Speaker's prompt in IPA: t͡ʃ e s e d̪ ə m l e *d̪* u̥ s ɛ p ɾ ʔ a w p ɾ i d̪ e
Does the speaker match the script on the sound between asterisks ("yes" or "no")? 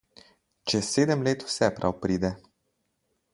no